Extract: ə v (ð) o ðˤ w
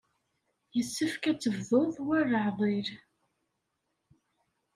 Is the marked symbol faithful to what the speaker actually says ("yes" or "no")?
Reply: yes